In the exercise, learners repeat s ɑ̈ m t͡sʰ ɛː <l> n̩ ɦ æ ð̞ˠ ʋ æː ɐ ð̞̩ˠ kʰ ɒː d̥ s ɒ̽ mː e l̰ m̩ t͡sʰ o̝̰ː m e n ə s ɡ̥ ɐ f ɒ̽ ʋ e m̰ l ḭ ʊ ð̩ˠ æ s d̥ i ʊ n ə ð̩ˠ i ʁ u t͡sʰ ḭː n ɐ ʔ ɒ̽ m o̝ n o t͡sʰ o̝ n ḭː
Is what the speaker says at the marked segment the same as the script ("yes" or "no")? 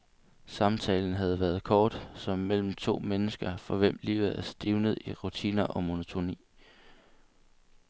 yes